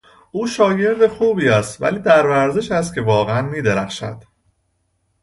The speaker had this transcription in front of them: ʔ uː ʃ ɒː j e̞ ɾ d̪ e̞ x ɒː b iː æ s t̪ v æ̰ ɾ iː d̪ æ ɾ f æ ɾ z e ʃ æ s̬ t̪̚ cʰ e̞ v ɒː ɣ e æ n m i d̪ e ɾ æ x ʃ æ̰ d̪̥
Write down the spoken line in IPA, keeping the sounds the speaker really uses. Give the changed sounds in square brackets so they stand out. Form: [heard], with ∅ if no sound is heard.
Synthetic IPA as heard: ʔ uː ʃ ɒː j e̞ ɾ d̪ e̞ x [uː] b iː æ s t̪ v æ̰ [l] iː d̪ æ ɾ [v] æ ɾ z e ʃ æ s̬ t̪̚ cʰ e̞ v ɒː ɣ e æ n m [iː] d̪ e ɾ æ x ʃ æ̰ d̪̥